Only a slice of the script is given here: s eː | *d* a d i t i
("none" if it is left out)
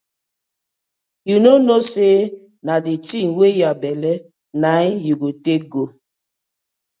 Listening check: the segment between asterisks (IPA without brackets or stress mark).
n